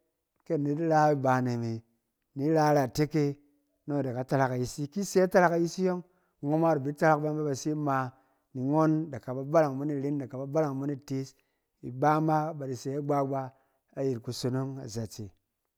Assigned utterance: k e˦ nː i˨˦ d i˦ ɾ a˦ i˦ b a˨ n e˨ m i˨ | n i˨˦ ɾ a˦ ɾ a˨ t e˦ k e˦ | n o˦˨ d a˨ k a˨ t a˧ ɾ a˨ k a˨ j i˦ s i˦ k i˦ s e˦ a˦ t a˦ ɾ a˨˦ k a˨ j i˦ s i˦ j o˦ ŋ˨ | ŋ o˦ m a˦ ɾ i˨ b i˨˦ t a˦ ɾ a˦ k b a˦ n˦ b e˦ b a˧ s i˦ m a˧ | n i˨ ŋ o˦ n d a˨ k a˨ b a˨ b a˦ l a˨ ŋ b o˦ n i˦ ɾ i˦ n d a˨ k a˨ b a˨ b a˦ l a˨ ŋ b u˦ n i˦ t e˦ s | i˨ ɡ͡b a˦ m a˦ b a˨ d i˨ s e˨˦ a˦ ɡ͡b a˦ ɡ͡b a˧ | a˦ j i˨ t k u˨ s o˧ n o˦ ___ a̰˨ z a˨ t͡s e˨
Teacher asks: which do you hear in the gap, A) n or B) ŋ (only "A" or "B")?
B